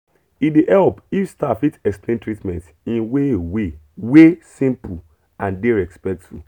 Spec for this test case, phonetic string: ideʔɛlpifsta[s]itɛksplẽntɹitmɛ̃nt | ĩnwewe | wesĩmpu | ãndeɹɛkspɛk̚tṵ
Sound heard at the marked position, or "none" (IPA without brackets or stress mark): f